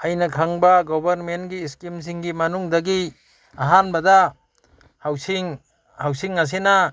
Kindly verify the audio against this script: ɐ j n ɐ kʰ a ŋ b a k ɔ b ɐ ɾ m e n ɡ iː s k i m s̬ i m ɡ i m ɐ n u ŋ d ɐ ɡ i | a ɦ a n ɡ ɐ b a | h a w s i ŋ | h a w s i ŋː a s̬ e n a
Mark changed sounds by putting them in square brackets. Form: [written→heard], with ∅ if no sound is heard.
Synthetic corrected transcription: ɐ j n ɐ kʰ a ŋ b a [k→ɡ] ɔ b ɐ ɾ m e n ɡ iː s k i m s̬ i [m→ŋ] ɡ i m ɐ n u ŋ d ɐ ɡ i | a ɦ a n [ɡ→b] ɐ [b→d] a | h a w s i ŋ | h a w s i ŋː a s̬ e n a